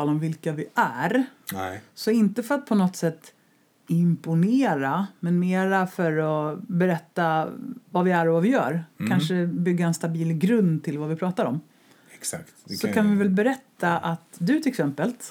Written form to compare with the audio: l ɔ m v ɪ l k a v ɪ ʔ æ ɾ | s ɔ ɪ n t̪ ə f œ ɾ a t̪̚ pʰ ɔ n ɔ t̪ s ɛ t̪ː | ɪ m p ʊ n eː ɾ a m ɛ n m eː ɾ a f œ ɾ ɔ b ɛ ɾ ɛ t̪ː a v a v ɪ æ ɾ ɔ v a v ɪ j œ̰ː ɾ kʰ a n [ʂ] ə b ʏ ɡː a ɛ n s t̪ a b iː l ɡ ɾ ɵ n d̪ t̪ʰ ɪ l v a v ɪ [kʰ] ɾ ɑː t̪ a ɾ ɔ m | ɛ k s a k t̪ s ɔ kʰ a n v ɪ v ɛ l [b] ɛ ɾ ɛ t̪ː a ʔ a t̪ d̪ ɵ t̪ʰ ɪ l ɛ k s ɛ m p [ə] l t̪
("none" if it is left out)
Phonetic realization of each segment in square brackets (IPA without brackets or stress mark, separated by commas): ʂ, pʰ, b, ə